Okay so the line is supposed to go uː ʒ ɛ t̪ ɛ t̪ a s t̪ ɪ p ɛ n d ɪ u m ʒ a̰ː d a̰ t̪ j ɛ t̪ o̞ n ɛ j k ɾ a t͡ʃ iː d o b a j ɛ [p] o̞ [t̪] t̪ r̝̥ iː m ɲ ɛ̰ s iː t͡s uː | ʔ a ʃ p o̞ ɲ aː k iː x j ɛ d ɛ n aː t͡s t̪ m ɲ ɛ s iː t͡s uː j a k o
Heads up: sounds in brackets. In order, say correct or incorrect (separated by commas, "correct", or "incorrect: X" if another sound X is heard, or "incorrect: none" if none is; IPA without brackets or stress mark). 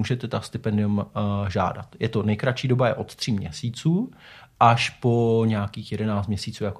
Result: incorrect: ʔ, correct